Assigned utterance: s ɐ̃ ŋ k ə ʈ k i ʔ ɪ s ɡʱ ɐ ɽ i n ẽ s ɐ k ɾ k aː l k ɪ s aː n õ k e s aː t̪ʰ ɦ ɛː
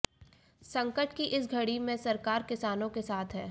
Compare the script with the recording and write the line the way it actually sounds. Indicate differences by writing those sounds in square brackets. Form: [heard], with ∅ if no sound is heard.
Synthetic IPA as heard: s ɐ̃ ŋ k ə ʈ k i ʔ ɪ s ɡʱ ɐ ɽ i [m] ẽ s ɐ [∅] ɾ k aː [ɾ] k ɪ s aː n õ k e s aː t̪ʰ ɦ ɛː